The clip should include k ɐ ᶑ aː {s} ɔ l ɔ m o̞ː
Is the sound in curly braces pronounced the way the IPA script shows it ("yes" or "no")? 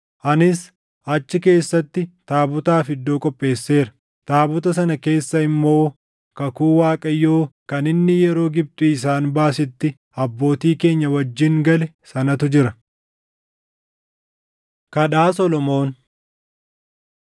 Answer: yes